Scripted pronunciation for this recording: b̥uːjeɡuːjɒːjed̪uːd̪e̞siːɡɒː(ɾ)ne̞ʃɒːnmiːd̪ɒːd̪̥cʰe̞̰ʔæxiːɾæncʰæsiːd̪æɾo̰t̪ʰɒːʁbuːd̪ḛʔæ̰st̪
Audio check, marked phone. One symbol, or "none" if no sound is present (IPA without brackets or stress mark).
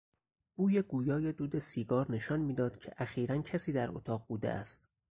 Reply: ɾ